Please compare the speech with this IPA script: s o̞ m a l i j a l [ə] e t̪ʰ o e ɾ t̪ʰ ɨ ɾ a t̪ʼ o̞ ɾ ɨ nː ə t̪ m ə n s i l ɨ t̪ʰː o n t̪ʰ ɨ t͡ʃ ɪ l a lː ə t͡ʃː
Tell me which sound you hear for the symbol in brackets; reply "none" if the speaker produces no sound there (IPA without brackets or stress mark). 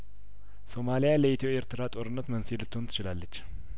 ə